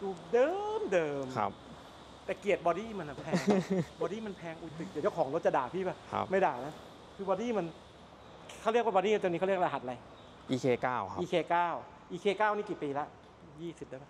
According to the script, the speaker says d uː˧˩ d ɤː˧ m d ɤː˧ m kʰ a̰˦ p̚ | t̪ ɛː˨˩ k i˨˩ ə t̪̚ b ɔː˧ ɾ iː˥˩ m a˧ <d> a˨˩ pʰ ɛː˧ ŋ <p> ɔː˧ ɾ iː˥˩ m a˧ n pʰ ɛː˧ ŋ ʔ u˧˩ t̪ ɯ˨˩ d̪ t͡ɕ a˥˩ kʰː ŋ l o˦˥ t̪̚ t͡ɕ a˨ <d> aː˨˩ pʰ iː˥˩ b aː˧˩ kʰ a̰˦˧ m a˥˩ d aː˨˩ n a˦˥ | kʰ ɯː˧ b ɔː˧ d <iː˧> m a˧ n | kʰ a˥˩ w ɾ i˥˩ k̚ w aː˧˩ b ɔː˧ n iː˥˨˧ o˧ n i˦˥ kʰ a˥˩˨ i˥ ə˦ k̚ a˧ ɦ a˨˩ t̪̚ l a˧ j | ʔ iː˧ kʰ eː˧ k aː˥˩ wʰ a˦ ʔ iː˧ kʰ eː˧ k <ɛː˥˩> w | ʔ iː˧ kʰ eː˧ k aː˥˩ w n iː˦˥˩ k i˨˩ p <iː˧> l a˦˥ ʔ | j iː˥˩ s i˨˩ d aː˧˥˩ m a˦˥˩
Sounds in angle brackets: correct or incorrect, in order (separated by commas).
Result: incorrect, incorrect, correct, incorrect, incorrect, correct